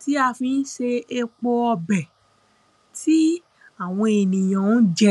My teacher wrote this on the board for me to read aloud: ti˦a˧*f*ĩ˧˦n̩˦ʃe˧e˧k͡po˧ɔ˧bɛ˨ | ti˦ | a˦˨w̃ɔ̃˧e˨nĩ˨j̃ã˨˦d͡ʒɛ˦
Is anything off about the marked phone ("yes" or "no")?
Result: no